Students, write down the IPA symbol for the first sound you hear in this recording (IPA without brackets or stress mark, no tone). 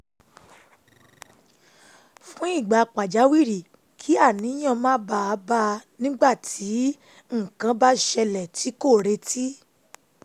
f